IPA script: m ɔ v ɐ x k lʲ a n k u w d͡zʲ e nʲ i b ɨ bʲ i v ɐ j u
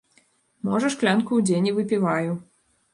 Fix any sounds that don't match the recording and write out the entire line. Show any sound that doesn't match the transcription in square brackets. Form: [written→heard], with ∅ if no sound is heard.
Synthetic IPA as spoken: m ɔ [v→ʐ] ɐ [x→ʂ] k lʲ a n k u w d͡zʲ e nʲ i [b→v] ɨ [bʲ→pʲ] i v [ɐ→a] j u